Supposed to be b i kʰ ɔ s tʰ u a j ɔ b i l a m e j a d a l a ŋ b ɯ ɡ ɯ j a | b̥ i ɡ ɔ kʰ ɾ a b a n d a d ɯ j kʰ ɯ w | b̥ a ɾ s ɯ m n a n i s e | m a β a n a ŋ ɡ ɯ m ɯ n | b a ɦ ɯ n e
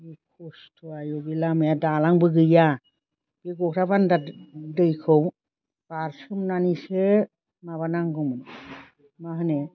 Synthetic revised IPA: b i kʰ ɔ s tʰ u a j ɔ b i l a m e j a d a l a ŋ b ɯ ɡ ɯ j a | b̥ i ɡ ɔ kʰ ɾ a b a n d a d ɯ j kʰ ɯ w | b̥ a ɾ s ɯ m n a n i s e | m a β a n a ŋ ɡ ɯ m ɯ n | m a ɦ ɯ n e